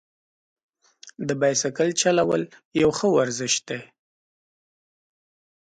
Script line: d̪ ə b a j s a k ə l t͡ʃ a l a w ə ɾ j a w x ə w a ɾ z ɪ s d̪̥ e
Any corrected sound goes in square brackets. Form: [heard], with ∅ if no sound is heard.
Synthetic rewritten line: d̪ ə b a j s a k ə l t͡ʃ a l a w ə [l] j a w x ə w a ɾ z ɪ [ʃ] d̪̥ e

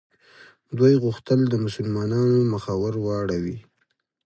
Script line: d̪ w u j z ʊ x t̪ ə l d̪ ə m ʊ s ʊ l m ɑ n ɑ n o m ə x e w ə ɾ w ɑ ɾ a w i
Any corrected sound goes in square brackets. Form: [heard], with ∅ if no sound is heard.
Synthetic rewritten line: d̪ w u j [ɣ] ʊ x t̪ ə l d̪ ə m ʊ s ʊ l m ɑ n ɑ n o m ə x [a] w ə ɾ w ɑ [ɽ] a w i

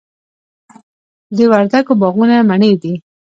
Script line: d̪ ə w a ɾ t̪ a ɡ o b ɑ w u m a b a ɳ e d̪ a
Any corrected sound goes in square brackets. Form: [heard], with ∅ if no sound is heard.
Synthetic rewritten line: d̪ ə w a ɾ [d̪] a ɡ o b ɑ [ɣ] u [n] a [m] a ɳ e d̪ [i]

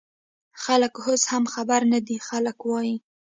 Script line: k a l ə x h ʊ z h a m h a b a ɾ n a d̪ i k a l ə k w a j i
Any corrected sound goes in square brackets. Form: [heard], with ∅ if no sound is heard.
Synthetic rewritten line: [x] a l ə [k] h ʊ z h a m [x] a b a ɾ n a d̪ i [x] a l ə k w [ɑ] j i

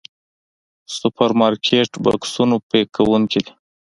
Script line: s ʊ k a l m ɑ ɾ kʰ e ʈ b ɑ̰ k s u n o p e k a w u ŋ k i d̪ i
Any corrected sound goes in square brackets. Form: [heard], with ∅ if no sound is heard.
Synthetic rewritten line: s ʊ [p] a [ɾ] m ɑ ɾ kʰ e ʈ b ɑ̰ k s u n o p e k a w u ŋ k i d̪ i

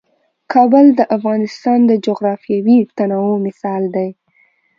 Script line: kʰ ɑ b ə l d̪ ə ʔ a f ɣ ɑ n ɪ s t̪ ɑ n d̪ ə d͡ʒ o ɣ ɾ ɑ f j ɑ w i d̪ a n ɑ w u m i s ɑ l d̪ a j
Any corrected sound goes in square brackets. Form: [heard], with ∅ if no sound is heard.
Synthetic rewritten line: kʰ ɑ b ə l d̪ ə ʔ a f ɣ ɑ n ɪ s t̪ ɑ n d̪ ə d͡ʒ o ɣ ɾ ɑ f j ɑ w i [t̪] a n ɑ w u m [ɪ] s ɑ l d̪ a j

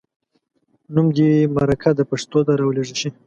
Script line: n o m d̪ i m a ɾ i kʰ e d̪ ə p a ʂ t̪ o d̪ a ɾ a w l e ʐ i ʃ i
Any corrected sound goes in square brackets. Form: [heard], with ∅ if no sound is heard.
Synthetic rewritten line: n [u] m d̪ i m a ɾ [a] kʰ [a] d̪ ə p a ʂ t̪ o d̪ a ɾ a w l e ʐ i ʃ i

